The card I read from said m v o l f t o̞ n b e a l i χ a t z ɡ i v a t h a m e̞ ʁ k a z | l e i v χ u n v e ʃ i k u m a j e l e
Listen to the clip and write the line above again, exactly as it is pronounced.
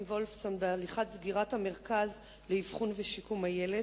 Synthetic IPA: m v o l f s o̞ n b e a l i χ a t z ɡ i ʁ a t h a m e̞ ʁ k a z | l e i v χ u n v e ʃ i k u m a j e l e